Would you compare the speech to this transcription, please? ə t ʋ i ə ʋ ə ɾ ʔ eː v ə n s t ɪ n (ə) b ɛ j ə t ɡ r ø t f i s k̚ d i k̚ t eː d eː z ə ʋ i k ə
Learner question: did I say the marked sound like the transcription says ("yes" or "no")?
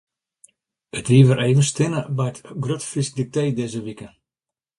yes